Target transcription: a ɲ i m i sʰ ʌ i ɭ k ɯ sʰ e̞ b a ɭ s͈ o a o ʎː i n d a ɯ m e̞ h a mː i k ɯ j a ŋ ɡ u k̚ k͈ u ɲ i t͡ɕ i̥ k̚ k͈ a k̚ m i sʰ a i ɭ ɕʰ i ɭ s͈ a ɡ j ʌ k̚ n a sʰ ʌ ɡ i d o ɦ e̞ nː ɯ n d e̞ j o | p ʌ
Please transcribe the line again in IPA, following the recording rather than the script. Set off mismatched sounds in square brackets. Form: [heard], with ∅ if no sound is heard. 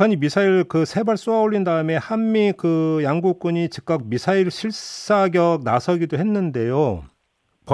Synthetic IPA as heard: a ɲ i m i sʰ [a] i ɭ k ɯ sʰ e̞ b a ɭ s͈ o a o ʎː i n d a ɯ m e̞ h a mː i k ɯ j a ŋ ɡ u k̚ k͈ u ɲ i t͡ɕ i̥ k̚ k͈ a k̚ m i sʰ a i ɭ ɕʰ i ɭ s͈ a ɡ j ʌ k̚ n a sʰ ʌ ɡ i d o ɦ e̞ nː ɯ n d e̞ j o | p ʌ